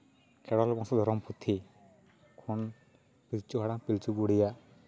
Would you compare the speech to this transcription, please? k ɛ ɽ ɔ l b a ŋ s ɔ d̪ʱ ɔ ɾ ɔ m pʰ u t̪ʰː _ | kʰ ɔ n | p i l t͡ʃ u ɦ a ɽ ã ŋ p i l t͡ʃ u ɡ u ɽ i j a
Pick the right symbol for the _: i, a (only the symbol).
i